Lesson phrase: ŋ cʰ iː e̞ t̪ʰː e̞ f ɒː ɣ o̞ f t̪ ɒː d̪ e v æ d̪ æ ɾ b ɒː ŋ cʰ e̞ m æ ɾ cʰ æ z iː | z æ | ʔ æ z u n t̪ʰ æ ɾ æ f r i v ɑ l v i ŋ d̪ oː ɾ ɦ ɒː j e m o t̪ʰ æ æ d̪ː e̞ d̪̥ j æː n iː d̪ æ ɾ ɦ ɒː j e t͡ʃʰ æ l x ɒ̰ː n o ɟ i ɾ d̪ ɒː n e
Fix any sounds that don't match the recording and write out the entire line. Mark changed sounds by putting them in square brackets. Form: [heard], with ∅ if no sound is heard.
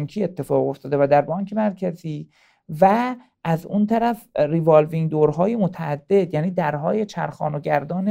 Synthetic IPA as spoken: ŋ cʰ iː e̞ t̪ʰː e̞ f ɒː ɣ o̞ f t̪ ɒː d̪ e v æ d̪ æ ɾ b ɒː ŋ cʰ e̞ m æ ɾ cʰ æ z iː | [v] æ | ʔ æ z u n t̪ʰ æ ɾ æ f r i v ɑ l v i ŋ d̪ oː ɾ ɦ ɒː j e m o t̪ʰ æ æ d̪ː e̞ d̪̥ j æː n iː d̪ æ ɾ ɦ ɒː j e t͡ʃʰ æ [ɾ] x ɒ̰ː n o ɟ [æ] ɾ d̪ ɒː n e